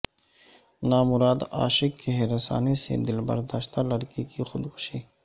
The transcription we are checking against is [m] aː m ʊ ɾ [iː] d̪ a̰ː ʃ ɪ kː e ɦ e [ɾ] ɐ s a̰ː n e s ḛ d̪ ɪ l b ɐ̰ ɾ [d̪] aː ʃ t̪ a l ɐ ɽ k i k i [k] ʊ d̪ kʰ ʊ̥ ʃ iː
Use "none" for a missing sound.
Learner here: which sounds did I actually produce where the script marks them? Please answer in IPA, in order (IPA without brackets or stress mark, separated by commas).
n, aː, ɾ, d̪, x